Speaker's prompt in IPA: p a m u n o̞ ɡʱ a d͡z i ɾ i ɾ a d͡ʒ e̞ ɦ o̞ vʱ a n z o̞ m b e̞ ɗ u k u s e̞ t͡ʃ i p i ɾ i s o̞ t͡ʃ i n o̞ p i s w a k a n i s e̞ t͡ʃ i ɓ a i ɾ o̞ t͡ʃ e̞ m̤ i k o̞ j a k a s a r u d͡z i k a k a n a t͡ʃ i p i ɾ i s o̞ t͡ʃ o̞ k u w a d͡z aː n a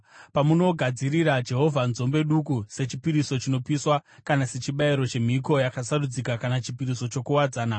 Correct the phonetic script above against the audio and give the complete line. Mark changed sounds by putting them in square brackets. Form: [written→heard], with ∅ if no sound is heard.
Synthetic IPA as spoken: p a m u n o̞ ɡʱ a d͡z i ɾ i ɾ a d͡ʒ e̞ ɦ o̞ vʱ a n z o̞ m b e̞ ɗ u k u s e̞ t͡ʃ i p i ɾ i s o̞ t͡ʃ i n o̞ p i s w a k a n [i→a] s e̞ t͡ʃ i ɓ a i ɾ o̞ t͡ʃ e̞ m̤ i k o̞ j a k a s a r u d͡z i k a k a n a t͡ʃ i p i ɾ i s o̞ t͡ʃ o̞ k u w a d͡z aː n a